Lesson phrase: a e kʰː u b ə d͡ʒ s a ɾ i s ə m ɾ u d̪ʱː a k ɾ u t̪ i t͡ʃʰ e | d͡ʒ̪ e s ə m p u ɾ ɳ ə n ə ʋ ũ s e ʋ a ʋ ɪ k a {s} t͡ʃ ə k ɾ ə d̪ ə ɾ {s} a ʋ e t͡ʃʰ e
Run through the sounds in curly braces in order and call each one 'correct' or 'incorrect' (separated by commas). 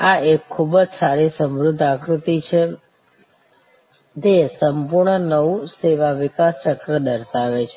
correct, incorrect